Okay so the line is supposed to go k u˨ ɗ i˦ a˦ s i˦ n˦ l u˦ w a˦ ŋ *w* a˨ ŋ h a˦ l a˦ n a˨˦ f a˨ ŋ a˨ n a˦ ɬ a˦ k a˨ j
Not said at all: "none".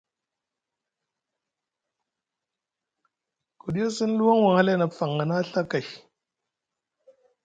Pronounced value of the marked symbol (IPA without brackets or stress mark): w